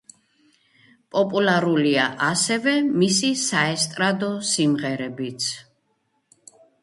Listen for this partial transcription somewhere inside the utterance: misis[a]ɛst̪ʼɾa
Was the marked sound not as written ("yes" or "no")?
no